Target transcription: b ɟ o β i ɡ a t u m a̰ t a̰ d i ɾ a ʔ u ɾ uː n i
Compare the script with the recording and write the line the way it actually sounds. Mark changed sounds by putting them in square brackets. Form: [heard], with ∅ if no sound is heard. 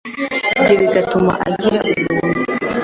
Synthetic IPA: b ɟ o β i ɡ a t u m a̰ [ʔ] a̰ [ɟ] i ɾ a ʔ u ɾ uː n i